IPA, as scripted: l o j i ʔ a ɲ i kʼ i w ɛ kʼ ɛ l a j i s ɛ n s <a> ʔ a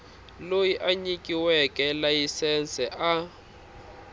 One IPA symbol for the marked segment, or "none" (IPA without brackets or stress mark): ɛ